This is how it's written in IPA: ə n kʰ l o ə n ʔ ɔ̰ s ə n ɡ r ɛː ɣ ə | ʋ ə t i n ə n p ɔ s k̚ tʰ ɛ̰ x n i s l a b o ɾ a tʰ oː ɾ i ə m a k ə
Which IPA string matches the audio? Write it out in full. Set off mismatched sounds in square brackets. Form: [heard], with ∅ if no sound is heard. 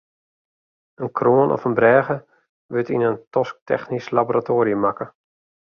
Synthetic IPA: ə n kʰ [r] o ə n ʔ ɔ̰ [f] ə n [b] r ɛː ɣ ə | ʋ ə t i n ə n [t] ɔ s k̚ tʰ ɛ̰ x n i s l a b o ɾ a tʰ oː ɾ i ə m a k ə

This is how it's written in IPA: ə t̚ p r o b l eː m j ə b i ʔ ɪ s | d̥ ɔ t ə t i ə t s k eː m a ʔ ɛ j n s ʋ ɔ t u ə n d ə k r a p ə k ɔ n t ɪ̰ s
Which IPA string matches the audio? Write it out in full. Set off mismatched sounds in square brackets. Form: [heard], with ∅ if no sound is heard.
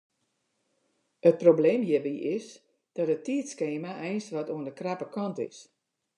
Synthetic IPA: ə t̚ p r o b l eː m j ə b i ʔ ɪ s | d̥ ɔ t ə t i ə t s k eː m a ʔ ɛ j n s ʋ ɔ t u ə n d ə k r a p ə k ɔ n t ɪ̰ s

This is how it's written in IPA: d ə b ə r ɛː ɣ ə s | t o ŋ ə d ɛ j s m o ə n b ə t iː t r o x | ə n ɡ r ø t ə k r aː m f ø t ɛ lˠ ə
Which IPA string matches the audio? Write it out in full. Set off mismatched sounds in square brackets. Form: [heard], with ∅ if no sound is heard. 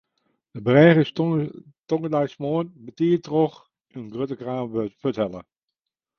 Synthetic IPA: d ə b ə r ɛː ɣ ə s | t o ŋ ə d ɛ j s m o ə n b ə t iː t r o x | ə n ɡ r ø t ə k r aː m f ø t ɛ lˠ ə

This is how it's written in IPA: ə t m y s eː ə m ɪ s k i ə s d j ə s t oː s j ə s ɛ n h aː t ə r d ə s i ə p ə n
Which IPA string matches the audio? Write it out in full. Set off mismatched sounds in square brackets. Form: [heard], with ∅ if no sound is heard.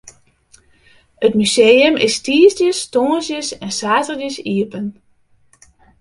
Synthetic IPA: ə t m y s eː ə m ɪ s [t] i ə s d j ə s t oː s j ə s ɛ n [s] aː t ə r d ə s i ə p ə n

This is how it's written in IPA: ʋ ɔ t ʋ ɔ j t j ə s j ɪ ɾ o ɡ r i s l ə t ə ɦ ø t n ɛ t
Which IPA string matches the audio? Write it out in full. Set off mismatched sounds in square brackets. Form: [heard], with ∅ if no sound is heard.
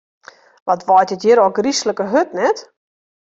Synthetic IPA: ʋ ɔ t ʋ ɔ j t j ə [t] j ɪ ɾ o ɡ r i s l ə [k] ə ɦ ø t n ɛ t

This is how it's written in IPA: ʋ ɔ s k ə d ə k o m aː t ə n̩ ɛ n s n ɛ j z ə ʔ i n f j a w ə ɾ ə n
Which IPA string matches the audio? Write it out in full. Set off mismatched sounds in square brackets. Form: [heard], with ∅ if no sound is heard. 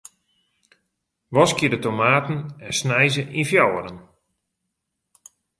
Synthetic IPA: ʋ ɔ s k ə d ə [t] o m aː t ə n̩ ɛ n s n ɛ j z ə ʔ i n f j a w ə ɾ ə n

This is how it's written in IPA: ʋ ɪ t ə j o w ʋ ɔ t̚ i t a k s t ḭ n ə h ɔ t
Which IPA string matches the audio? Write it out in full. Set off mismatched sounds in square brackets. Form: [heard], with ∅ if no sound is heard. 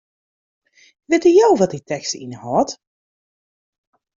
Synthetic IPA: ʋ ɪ t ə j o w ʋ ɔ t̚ i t [ɛ] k s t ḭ n ə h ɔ t

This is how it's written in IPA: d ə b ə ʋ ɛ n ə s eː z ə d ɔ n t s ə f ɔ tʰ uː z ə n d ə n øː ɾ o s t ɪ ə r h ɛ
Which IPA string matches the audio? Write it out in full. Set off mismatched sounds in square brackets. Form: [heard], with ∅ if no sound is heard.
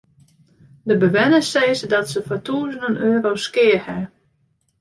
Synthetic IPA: d ə b ə ʋ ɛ n ə s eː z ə d ɔ [∅] t s ə f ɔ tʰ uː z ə n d ə n øː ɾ o s [k] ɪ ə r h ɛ

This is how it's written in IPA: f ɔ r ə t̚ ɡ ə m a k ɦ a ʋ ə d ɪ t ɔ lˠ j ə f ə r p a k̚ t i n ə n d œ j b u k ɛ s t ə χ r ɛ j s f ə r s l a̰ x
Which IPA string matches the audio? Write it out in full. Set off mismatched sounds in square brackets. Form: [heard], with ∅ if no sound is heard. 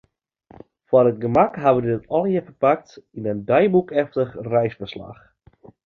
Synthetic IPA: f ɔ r ə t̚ ɡ ə m a k ɦ a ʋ ə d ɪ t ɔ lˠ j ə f ə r p a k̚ t i n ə n d œ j b u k ɛ [f] t ə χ r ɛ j s f ə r s l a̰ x

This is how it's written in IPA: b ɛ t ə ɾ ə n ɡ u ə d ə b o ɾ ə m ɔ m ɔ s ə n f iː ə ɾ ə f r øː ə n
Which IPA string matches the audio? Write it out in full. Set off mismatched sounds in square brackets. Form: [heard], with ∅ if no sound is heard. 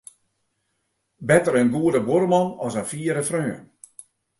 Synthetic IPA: b ɛ t ə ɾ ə n ɡ u ə d ə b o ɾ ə m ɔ [n] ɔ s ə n f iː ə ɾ ə f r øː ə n

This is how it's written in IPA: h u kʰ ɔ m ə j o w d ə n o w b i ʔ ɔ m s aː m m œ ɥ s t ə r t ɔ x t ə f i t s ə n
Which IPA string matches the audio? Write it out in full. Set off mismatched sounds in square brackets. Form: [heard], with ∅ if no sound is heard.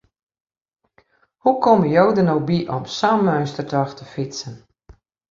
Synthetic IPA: h u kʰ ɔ m ə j o w d ə n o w b i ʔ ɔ m s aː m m œ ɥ s t ə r t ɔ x t ə f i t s ə n

